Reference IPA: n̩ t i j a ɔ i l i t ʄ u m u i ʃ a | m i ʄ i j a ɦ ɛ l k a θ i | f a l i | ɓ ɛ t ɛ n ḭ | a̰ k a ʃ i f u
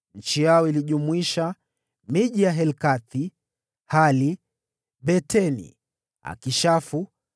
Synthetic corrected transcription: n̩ t͡ʃ i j a ɔ i l i ʄ u m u i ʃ a | m i ʄ i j a ɦ ɛ l k a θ i | h a l i | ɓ ɛ t ɛ n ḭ | a̰ k i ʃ a f u